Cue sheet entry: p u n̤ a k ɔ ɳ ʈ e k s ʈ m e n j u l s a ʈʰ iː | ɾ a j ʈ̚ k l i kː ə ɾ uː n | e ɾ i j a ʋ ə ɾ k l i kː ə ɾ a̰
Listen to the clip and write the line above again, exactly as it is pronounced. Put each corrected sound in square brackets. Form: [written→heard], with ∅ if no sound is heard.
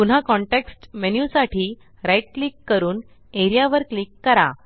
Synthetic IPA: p u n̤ a k ɔ ɳ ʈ e k s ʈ m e n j u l s a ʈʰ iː | ɾ a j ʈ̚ k l i kː ə ɾ uː n | e ɾ i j a ʋ ə ɾ k l i kː ə ɾ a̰